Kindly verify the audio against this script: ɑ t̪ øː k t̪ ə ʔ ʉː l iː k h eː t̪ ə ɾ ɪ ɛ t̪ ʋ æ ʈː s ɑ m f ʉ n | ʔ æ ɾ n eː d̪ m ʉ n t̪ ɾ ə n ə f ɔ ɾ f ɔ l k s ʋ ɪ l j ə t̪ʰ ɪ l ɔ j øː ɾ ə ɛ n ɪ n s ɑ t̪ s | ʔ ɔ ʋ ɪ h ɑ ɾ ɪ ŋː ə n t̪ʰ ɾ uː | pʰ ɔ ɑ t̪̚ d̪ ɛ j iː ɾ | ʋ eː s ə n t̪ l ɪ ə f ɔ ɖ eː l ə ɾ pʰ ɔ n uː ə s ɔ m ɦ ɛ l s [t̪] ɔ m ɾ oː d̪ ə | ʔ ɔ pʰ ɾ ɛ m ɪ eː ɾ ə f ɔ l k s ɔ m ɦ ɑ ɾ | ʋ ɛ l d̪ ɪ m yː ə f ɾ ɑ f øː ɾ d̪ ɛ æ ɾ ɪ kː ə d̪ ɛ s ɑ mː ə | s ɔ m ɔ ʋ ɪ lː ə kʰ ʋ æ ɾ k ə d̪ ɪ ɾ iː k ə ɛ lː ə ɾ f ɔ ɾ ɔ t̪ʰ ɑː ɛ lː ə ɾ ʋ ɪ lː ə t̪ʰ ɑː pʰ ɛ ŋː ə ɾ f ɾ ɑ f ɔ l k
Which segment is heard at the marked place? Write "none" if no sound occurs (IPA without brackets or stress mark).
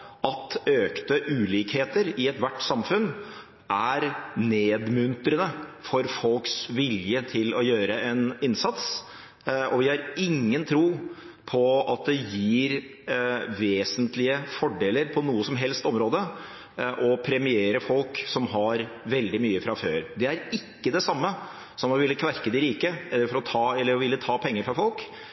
t̪